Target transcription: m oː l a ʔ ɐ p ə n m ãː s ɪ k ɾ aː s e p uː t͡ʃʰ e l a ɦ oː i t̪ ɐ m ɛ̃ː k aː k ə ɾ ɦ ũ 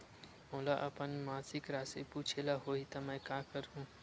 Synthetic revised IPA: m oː l a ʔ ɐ p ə n m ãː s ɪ k ɾ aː s e p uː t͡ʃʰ e l a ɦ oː i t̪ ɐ m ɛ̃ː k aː k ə ɾ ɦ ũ